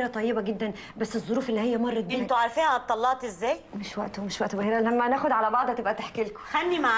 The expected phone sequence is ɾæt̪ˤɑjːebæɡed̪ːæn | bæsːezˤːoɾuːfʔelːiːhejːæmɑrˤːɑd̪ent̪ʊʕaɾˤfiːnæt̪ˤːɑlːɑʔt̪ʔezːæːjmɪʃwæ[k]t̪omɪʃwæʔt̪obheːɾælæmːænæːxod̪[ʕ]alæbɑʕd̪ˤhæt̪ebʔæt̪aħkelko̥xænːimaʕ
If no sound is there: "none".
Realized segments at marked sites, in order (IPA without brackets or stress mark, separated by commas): ʔ, ʕ